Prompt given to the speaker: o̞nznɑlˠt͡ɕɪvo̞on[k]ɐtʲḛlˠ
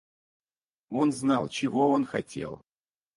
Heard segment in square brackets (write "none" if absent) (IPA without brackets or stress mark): x